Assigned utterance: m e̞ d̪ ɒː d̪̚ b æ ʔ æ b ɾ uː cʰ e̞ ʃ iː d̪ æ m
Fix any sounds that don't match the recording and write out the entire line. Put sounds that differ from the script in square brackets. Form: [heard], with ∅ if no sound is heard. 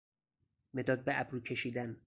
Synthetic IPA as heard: m e̞ d̪ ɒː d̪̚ b [e] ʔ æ b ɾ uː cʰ e̞ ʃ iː d̪ æ [n]